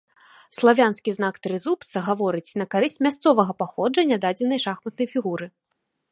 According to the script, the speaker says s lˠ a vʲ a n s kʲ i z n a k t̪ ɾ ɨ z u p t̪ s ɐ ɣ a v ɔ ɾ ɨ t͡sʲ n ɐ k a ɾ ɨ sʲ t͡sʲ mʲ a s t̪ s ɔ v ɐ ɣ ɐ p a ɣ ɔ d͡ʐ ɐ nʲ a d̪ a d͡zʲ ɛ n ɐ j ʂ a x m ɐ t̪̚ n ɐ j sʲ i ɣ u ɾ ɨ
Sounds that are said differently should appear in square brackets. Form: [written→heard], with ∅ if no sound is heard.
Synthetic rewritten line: s lˠ a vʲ a n s kʲ i z n a k t̪ ɾ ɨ z u p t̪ s ɐ ɣ a v ɔ ɾ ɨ t͡sʲ n ɐ k a ɾ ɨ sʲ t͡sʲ mʲ a s t̪ s ɔ v ɐ ɣ ɐ p a [ɣ→x] ɔ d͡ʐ ɐ nʲ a d̪ a d͡zʲ ɛ n ɐ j ʂ a x m ɐ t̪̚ n ɐ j [sʲ→fʲ] i ɣ u ɾ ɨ